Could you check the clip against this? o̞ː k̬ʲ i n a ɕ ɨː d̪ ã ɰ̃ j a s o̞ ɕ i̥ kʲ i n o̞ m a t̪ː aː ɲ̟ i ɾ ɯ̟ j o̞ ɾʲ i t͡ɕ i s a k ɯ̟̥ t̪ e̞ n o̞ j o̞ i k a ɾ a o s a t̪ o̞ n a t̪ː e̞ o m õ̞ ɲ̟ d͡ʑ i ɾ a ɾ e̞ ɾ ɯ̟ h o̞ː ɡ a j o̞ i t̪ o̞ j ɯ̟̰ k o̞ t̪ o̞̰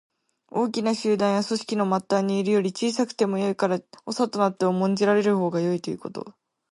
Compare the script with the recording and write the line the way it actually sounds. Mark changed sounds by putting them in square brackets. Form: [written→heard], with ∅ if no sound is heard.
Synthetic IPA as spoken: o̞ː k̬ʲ i n a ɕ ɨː d̪ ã ɰ̃ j a s o̞ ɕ i̥ kʲ i n o̞ m a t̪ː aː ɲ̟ [i→iː] ɾ ɯ̟ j o̞ ɾʲ i t͡ɕ [i→iː] s a k ɯ̟̥ t̪ e̞ [n→m] o̞ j o̞ i k a ɾ a o s a t̪ o̞ n a t̪ː e̞ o m õ̞ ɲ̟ d͡ʑ i ɾ a ɾ e̞ ɾ ɯ̟ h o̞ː ɡ a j o̞ i t̪ o̞ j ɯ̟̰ k o̞ t̪ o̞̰